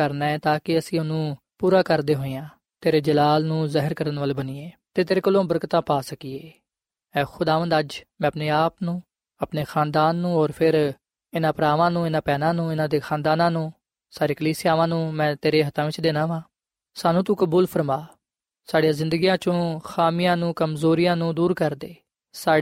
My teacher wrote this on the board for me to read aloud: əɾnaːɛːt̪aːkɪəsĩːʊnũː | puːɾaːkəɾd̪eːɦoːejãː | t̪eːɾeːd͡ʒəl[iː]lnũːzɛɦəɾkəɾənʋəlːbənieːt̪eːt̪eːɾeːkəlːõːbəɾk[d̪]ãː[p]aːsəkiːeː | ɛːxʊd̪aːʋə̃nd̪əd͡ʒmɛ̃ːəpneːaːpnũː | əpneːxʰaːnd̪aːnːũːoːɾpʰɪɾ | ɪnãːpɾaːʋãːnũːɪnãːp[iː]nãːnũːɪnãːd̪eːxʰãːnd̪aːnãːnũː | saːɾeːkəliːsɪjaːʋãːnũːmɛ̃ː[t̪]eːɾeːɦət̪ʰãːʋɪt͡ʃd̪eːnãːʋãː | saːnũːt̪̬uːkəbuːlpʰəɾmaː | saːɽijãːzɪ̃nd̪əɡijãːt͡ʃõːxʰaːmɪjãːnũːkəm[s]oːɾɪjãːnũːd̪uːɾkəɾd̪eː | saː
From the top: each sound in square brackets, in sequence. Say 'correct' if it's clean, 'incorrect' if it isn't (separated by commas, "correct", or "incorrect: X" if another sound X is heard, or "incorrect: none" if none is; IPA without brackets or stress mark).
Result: incorrect: aː, incorrect: t̪, correct, incorrect: ɛː, correct, incorrect: z